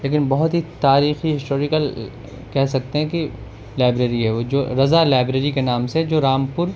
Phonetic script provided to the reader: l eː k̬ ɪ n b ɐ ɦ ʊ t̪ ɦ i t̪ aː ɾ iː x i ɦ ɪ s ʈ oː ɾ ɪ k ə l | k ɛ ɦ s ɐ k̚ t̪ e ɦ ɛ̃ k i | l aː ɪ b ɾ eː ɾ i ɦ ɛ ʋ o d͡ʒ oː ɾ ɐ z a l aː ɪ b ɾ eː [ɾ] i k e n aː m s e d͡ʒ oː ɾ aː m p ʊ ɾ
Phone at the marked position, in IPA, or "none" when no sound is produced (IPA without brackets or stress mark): ɾ